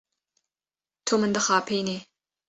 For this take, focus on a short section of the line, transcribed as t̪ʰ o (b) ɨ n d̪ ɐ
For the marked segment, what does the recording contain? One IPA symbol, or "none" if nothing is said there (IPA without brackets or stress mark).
m